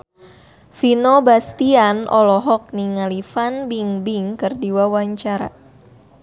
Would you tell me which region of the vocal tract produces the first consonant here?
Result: lips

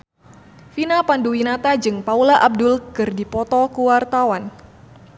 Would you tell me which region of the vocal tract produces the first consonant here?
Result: lips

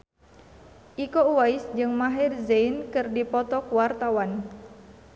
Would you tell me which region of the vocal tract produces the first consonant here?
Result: throat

